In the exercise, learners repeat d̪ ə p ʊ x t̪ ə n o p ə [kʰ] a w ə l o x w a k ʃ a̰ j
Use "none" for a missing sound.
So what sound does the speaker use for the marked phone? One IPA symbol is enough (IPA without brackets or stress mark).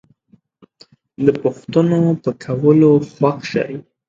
kʰ